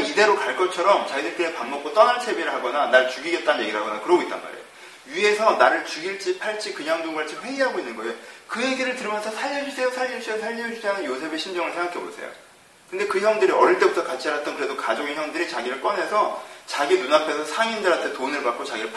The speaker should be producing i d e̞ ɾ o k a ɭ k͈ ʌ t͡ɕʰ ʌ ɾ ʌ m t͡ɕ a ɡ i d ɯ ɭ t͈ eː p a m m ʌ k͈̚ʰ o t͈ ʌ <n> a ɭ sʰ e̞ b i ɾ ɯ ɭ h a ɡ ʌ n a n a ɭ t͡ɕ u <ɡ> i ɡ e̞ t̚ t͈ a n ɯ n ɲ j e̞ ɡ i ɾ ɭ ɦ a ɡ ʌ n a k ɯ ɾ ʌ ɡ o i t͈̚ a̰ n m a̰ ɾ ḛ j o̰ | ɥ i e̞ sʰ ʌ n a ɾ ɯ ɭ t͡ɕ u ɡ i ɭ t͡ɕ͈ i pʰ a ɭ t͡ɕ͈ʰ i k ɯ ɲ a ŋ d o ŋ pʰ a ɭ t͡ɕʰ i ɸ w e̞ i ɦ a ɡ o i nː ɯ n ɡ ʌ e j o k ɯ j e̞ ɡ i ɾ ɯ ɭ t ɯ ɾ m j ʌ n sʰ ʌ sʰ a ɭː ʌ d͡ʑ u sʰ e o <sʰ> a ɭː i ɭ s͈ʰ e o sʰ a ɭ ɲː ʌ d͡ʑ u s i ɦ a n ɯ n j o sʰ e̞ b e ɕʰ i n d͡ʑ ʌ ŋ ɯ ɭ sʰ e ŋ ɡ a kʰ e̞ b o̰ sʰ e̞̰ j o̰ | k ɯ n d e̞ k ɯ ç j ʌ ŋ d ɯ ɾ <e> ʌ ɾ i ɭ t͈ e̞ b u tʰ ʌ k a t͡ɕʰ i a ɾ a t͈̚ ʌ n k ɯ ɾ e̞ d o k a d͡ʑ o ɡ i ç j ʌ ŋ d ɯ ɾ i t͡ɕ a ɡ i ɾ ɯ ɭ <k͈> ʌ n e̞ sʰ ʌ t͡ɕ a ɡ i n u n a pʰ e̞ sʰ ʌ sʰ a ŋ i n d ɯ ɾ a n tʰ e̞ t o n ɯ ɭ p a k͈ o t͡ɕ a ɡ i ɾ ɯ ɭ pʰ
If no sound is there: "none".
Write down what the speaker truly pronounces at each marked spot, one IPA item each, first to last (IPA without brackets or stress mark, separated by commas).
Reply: n, ɡ, sʰ, i, k͈